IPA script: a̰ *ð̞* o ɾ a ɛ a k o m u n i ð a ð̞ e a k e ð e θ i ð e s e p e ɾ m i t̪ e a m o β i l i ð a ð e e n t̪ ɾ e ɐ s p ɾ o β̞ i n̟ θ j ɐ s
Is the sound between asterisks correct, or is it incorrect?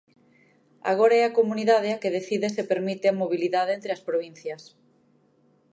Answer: incorrect